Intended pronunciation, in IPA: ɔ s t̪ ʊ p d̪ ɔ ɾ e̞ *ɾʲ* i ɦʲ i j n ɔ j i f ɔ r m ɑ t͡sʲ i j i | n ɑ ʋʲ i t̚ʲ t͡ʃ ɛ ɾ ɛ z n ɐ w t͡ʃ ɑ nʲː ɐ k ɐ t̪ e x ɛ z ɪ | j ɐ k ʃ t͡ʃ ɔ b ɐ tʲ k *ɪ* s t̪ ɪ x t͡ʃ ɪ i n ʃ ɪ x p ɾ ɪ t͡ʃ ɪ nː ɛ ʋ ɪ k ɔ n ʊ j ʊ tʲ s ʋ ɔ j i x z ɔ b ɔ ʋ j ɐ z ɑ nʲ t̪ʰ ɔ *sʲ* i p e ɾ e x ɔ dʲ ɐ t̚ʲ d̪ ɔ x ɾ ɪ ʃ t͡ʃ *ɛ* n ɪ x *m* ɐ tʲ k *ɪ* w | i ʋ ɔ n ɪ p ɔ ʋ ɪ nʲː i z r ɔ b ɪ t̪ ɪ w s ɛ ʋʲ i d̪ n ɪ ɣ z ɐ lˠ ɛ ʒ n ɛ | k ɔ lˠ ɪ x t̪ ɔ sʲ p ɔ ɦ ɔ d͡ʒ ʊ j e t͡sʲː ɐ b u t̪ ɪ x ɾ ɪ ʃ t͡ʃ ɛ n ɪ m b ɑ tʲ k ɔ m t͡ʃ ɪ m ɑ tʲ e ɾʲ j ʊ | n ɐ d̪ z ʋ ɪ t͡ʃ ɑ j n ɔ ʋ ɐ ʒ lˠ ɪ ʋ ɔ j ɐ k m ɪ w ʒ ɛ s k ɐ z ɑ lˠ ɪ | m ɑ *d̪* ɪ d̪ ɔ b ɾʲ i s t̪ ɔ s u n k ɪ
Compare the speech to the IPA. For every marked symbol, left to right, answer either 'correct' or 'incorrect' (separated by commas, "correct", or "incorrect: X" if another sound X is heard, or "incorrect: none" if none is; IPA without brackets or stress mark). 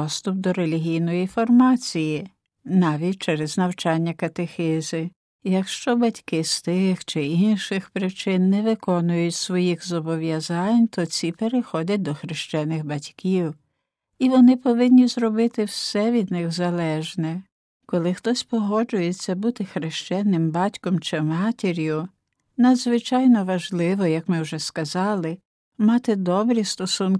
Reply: incorrect: lʲ, correct, incorrect: t͡sʲ, correct, incorrect: b, incorrect: i, incorrect: t̪